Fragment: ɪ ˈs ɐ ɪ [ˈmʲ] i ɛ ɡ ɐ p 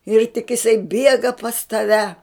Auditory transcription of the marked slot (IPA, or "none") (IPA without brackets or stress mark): bʲ